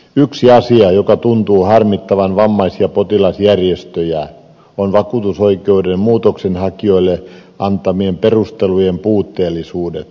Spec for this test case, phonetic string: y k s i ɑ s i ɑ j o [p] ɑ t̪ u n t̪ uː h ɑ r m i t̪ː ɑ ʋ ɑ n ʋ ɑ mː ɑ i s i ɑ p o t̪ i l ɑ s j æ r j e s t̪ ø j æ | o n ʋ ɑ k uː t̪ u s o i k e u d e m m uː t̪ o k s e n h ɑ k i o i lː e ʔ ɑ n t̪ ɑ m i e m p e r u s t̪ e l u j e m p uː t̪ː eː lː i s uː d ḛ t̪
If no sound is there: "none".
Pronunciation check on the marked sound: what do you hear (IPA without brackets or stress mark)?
k